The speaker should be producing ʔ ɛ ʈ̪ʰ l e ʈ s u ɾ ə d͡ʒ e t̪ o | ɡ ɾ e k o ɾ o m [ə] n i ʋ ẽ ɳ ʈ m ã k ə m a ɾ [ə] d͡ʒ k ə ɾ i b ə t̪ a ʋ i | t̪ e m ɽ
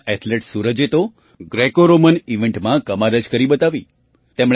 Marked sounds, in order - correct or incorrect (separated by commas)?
correct, correct